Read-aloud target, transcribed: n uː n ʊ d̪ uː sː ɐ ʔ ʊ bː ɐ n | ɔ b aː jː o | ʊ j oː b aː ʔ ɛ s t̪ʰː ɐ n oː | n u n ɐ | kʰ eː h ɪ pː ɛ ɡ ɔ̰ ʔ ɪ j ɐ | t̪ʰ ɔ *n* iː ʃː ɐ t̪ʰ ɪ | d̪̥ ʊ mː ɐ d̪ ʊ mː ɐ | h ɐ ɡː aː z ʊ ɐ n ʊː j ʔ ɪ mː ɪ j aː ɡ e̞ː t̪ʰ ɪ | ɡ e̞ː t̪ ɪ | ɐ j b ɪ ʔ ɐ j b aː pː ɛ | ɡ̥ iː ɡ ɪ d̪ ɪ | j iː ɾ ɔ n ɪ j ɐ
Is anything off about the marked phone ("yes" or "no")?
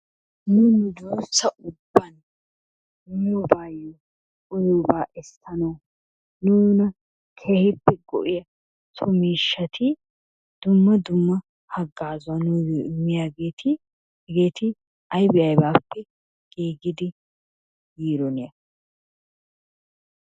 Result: yes